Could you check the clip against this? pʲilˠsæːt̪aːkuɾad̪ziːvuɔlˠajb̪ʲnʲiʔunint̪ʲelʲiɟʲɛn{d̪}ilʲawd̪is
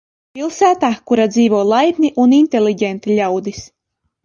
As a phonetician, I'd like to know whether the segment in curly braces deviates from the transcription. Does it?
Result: yes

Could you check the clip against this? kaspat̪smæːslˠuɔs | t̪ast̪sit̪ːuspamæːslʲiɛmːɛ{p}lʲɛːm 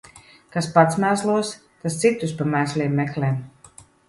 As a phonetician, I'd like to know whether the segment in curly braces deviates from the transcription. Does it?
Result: yes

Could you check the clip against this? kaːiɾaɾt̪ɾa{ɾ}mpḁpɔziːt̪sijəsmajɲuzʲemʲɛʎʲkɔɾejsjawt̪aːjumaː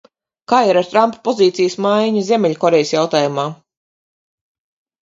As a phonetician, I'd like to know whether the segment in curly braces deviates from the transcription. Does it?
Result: yes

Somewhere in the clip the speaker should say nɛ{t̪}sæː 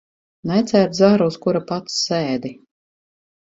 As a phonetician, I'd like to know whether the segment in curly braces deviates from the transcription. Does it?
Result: no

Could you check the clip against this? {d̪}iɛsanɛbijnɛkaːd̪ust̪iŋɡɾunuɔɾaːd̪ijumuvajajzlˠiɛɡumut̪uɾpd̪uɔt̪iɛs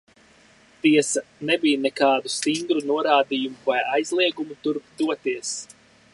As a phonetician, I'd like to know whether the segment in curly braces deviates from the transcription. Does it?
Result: yes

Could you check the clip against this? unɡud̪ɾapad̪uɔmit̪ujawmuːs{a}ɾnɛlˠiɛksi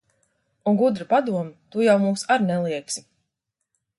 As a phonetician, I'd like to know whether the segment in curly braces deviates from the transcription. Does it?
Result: no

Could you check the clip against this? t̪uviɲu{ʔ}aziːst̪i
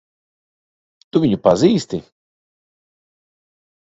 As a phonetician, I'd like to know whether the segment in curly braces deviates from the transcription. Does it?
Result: yes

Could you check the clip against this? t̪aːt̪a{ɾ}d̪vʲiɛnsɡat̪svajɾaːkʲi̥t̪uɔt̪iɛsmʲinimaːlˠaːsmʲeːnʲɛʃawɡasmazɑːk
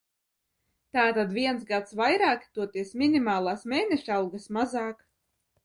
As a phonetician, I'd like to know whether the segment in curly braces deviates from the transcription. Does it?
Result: yes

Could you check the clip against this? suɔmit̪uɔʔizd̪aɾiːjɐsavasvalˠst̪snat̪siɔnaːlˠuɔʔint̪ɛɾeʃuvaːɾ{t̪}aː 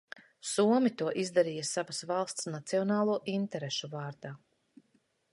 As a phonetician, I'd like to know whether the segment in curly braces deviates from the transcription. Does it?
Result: yes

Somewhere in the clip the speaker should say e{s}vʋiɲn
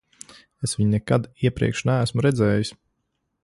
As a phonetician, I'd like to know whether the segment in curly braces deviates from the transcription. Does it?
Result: no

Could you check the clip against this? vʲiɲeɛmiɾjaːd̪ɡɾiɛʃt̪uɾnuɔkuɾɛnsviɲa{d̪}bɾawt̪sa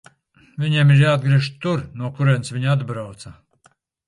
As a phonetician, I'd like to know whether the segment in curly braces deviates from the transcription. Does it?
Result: no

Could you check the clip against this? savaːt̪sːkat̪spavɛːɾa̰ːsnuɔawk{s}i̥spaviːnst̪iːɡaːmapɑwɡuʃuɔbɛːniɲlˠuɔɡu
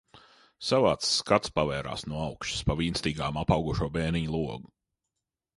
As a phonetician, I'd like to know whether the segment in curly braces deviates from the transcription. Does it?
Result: yes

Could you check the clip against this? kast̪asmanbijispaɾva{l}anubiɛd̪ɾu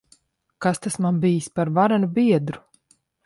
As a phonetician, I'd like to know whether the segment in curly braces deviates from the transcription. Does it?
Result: yes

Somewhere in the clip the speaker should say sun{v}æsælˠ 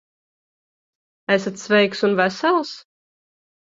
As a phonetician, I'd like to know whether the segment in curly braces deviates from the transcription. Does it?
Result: no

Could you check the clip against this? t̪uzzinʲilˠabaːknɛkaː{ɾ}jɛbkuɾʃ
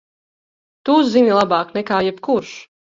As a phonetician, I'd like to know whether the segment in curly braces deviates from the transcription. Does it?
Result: yes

